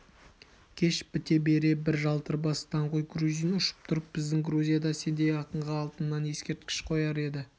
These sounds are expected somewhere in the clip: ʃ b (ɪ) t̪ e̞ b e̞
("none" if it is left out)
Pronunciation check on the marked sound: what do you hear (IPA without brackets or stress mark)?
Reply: ɪ